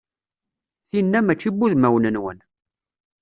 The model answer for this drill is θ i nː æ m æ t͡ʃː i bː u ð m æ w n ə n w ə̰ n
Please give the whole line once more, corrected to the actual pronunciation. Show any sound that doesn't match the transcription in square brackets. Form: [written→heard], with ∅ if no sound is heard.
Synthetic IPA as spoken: θ i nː æ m æ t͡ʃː i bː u ð m æ w n ə n w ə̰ n